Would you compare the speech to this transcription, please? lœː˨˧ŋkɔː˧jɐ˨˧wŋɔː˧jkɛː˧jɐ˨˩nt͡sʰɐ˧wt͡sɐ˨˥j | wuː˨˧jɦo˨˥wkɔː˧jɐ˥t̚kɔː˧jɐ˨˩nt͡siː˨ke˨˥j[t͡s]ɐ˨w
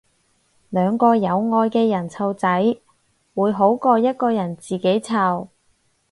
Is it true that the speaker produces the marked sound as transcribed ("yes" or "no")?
no